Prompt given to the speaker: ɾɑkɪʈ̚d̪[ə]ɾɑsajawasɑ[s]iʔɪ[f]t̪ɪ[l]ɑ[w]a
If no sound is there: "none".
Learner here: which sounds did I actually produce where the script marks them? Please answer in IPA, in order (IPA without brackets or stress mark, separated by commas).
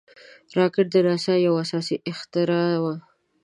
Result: ə, s, x, ɾ, w